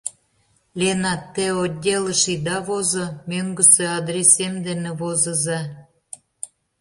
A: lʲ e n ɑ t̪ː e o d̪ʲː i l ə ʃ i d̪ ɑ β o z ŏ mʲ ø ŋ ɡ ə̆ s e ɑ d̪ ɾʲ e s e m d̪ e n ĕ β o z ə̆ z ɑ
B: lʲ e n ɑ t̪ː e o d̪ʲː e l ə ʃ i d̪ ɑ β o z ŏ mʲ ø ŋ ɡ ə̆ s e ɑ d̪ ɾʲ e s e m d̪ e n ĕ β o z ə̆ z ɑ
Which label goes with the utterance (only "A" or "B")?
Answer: B